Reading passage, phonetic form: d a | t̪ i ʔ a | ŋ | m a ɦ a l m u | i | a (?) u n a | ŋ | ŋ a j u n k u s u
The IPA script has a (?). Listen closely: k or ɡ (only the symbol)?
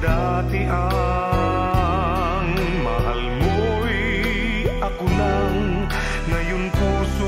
k